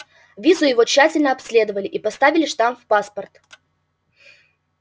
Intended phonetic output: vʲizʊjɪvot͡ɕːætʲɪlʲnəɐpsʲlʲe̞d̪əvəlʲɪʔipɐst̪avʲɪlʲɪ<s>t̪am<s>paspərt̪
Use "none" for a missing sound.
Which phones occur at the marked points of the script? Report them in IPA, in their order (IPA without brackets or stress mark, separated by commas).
ʂ, f